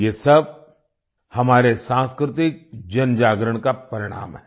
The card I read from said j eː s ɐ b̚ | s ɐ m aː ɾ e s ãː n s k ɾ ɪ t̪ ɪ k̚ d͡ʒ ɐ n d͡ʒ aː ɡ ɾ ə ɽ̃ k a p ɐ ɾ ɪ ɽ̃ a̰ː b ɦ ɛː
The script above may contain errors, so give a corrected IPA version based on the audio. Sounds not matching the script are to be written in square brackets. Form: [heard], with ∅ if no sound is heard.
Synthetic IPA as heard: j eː s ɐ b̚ | [h] ɐ m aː ɾ e s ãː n s k ɾ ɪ t̪ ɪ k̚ d͡ʒ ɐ n d͡ʒ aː ɡ ɾ ə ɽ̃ k a p ɐ ɾ ɪ ɽ̃ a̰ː [m] ɦ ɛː